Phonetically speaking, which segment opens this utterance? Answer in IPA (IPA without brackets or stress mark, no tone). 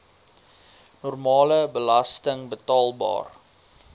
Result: n